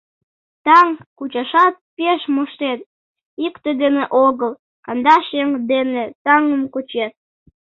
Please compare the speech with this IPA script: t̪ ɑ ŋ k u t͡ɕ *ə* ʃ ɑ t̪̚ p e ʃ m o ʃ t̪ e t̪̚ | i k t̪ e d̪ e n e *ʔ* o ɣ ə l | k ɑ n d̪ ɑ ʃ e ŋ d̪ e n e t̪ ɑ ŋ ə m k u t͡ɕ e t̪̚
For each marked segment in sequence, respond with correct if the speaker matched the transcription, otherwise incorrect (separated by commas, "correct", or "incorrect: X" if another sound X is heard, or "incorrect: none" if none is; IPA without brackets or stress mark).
incorrect: ɑ, correct